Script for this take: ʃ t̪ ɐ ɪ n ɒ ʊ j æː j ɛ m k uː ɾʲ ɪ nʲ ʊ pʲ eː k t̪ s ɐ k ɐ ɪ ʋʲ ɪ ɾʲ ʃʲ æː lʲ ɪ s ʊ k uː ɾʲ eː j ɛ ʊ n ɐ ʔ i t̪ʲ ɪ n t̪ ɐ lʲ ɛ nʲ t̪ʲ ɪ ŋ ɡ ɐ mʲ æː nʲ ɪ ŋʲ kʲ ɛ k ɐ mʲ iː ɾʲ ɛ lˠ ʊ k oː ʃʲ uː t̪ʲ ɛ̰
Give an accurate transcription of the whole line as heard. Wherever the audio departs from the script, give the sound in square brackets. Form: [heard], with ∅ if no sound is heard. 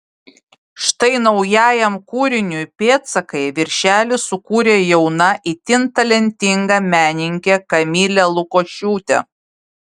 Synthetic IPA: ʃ t̪ ɐ ɪ n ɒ ʊ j æː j ɛ m k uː ɾʲ ɪ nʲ ʊ pʲ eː [∅] t̪ s ɐ k ɐ ɪ ʋʲ ɪ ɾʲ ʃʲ æː lʲ ɪ s ʊ k uː ɾʲ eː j ɛ ʊ n ɐ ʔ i t̪ʲ ɪ n t̪ ɐ lʲ ɛ nʲ t̪ʲ ɪ ŋ ɡ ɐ mʲ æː nʲ ɪ ŋʲ kʲ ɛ k ɐ mʲ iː [lʲ] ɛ lˠ ʊ k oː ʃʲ uː t̪ʲ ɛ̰

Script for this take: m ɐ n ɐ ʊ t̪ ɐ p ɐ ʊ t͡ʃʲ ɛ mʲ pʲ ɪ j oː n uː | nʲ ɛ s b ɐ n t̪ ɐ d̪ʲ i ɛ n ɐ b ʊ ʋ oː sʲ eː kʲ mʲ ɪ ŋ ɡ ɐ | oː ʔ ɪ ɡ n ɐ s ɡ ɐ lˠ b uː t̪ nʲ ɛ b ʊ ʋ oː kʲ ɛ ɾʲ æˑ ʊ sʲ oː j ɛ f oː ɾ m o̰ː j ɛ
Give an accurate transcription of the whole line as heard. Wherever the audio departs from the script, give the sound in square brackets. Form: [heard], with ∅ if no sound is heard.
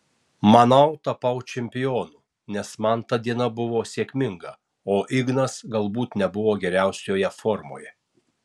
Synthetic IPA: m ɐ n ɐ ʊ t̪ ɐ p ɐ ʊ t͡ʃʲ ɛ mʲ pʲ ɪ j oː n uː | nʲ ɛ s [m] ɐ n t̪ ɐ d̪ʲ i ɛ n ɐ b ʊ ʋ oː sʲ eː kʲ mʲ ɪ ŋ ɡ ɐ | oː ʔ ɪ ɡ n ɐ s ɡ ɐ lˠ b uː t̪ nʲ ɛ b ʊ ʋ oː [ɡʲ] ɛ ɾʲ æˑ ʊ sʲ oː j ɛ f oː ɾ m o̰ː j ɛ

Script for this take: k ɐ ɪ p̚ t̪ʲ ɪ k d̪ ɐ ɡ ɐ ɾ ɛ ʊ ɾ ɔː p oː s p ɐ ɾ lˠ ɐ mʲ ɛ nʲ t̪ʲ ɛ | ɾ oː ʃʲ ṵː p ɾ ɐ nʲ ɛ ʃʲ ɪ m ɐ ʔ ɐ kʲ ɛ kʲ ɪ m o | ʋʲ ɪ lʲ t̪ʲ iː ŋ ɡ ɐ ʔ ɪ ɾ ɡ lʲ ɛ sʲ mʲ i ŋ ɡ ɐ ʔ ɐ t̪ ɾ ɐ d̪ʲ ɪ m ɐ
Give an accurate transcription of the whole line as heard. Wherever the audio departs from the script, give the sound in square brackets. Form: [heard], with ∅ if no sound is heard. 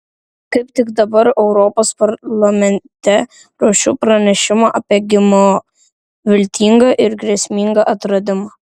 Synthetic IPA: k ɐ ɪ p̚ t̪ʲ ɪ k d̪ ɐ [b] ɐ ɾ ɛ ʊ ɾ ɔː p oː s p ɐ ɾ lˠ ɐ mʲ ɛ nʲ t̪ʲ ɛ | ɾ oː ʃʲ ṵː p ɾ ɐ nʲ ɛ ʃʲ ɪ m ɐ ʔ ɐ [pʲ] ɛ [ɡʲ] ɪ m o | ʋʲ ɪ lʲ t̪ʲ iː ŋ ɡ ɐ ʔ ɪ ɾ ɡ [ɾʲ] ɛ sʲ mʲ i ŋ ɡ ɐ ʔ ɐ t̪ ɾ ɐ d̪ʲ ɪ m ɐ

